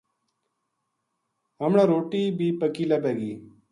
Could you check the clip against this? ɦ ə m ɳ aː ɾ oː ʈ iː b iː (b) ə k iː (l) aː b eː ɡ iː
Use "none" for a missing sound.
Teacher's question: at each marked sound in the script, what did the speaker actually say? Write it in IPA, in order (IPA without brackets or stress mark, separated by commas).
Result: p, l